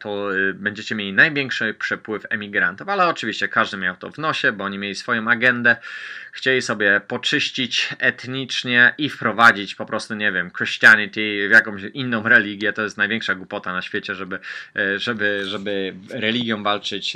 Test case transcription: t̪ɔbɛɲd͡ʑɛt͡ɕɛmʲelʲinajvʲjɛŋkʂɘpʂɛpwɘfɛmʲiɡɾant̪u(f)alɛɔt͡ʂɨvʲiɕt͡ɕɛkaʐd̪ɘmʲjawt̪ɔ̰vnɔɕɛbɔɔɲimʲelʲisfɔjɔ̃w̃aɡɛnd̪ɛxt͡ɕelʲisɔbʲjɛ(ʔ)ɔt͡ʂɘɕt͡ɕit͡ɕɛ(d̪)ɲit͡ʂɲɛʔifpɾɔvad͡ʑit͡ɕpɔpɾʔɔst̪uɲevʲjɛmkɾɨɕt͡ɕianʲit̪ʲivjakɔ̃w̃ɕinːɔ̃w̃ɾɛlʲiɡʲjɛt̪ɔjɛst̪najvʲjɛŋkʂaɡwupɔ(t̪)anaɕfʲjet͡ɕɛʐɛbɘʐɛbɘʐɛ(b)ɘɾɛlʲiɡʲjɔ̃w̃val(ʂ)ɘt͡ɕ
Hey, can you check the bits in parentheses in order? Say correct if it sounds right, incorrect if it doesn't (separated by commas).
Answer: correct, incorrect, incorrect, correct, correct, incorrect